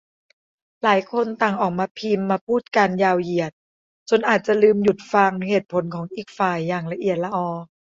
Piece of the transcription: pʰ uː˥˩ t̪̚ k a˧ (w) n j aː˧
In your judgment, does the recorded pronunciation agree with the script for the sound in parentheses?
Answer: no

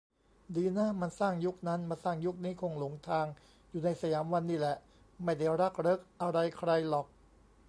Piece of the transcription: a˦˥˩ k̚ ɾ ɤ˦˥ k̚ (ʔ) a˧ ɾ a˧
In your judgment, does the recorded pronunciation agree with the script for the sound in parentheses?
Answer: yes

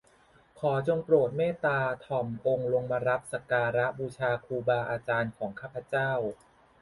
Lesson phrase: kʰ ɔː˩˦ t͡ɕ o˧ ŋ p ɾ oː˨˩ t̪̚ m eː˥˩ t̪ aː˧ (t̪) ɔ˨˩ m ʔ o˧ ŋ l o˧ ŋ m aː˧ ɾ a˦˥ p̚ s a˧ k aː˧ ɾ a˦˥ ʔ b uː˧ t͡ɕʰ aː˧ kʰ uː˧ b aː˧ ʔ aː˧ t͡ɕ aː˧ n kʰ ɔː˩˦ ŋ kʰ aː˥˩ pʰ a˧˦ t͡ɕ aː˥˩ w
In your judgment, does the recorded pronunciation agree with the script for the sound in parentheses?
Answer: no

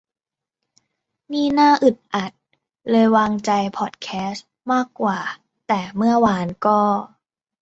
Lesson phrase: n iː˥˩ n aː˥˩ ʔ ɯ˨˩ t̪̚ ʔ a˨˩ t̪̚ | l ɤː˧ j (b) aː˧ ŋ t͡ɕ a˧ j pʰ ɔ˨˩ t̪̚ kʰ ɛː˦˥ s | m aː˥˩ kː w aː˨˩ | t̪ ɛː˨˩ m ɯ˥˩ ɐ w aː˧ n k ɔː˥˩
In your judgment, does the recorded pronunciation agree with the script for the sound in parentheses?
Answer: no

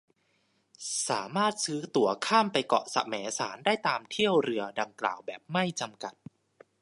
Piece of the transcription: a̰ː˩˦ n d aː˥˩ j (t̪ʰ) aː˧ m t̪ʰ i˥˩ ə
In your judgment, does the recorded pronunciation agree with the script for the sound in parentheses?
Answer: no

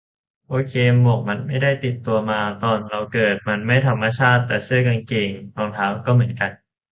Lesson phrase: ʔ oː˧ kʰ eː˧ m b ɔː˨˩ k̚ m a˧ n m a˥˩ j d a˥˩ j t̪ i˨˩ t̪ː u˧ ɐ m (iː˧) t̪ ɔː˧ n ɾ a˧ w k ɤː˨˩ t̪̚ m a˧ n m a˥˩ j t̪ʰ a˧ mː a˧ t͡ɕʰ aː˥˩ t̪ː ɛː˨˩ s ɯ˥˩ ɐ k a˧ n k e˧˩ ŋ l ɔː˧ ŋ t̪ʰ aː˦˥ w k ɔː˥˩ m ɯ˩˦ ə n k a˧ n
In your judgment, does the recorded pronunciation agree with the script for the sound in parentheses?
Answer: no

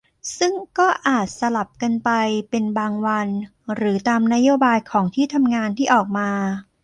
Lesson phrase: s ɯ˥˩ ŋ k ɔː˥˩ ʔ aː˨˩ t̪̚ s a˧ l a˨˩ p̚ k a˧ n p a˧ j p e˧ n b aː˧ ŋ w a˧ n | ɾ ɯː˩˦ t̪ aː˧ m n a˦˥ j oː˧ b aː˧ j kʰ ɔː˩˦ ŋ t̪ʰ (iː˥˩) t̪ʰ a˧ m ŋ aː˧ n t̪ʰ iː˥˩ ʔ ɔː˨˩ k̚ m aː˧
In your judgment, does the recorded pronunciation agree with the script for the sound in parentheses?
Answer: yes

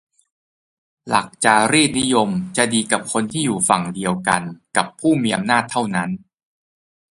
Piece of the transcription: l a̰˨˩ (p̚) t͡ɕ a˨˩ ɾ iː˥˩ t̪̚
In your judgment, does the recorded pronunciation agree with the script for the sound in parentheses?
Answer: no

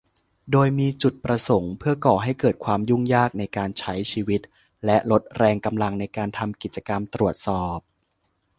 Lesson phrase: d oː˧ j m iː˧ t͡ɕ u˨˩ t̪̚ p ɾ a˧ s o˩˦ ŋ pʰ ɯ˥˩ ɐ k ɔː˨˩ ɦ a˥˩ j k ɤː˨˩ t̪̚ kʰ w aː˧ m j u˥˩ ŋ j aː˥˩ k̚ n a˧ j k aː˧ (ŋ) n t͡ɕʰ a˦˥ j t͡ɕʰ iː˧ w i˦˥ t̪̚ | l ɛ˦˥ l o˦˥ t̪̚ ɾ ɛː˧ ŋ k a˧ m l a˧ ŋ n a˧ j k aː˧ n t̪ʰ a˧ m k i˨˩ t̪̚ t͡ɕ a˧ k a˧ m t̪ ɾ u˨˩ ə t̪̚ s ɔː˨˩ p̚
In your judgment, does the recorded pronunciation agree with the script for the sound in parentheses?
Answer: no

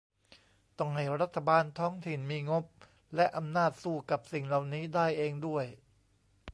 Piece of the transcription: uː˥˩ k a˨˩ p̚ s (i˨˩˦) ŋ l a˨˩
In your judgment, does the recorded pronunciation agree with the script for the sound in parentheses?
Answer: no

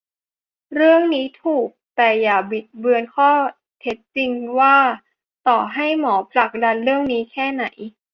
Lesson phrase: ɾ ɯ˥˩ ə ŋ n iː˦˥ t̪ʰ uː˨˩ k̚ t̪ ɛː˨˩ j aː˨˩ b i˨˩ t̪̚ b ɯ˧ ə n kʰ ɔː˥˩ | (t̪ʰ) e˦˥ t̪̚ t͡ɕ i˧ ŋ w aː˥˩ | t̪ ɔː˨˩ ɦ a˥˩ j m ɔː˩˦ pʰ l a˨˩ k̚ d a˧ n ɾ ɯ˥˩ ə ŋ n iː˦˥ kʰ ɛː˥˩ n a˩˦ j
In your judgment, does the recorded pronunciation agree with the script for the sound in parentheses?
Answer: yes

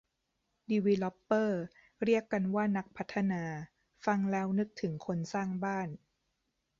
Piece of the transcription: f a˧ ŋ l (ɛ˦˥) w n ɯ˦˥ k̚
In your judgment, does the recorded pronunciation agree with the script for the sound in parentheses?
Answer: no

